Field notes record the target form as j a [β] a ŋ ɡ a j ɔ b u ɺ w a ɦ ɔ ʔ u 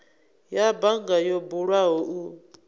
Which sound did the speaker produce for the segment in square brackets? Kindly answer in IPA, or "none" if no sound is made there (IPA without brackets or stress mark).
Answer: b